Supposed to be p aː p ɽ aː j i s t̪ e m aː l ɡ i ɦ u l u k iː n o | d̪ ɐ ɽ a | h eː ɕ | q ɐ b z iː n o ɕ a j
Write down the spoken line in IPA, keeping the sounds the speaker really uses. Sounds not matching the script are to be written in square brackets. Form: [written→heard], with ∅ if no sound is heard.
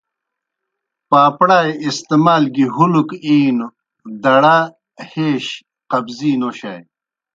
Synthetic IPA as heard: p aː p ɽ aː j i s t̪ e m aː l ɡ i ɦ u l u k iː n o | d̪ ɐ ɽ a | h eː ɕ | q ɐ b z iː n o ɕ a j

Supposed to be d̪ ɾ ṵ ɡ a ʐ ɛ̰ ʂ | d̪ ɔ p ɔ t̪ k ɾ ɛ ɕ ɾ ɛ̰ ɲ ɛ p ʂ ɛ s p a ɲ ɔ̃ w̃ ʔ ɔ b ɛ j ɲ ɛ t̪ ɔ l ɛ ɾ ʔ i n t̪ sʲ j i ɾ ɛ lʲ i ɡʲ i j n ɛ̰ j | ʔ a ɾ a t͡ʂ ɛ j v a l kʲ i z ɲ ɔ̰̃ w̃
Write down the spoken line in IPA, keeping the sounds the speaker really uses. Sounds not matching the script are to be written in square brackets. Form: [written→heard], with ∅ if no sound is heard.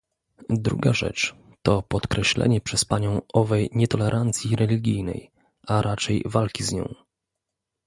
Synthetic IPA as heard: d̪ ɾ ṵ ɡ a ʐ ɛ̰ [ʂ→t͡ʂ] | [d̪→t̪] ɔ p ɔ t̪ k ɾ ɛ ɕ [ɾ→l] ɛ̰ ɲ ɛ p ʂ ɛ s p a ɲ ɔ̃ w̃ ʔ ɔ [b→v] ɛ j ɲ ɛ t̪ ɔ l ɛ ɾ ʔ [i→a] n t̪ sʲ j i ɾ ɛ lʲ i ɡʲ i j n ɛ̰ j | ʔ a ɾ a t͡ʂ ɛ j v a l kʲ i z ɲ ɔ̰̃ w̃

